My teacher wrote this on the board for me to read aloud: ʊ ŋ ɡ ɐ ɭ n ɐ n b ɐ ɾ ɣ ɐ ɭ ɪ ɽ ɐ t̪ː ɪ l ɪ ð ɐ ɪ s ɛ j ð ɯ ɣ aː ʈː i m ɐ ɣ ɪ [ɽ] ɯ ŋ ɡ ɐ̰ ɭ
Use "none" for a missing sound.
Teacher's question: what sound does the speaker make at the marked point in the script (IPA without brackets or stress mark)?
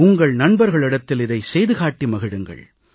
ɽ